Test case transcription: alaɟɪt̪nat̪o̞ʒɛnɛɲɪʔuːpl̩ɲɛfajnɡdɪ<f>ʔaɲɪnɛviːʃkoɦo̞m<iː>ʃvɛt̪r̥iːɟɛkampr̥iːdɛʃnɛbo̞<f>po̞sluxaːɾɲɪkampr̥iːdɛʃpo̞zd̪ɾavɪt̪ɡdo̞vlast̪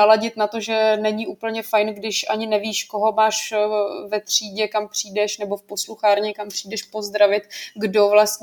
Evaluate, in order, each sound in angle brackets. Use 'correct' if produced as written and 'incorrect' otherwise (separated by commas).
incorrect, incorrect, correct